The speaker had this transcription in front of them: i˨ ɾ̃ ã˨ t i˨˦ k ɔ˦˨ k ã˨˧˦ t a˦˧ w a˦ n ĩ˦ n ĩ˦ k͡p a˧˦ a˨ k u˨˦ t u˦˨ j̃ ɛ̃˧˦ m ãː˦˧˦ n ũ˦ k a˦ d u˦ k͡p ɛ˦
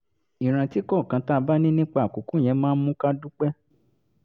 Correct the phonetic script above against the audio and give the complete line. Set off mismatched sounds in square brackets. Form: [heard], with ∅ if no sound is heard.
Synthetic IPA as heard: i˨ ɾ̃ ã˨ t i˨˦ k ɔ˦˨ k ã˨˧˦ t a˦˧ [b] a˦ n ĩ˦ n ĩ˦ k͡p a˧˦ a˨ k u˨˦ [k] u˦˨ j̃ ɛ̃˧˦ m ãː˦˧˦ [m] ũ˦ k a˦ d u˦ k͡p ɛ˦